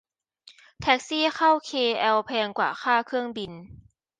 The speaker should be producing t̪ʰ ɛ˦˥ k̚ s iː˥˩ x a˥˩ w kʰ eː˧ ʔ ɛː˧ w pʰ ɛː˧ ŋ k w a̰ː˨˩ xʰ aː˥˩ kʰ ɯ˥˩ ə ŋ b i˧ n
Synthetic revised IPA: t̪ʰ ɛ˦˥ k̚ s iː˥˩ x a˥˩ w kʰ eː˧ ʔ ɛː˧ w pʰ ɛː˧ ŋ k w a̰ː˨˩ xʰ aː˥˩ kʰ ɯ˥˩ ə ŋ b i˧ n